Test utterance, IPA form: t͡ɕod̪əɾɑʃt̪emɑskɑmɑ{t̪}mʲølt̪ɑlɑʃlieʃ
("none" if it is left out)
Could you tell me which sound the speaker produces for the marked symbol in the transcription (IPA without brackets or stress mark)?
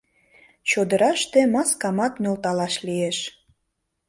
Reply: t̪